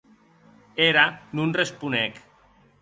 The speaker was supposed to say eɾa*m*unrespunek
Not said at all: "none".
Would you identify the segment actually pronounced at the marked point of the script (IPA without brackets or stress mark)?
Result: n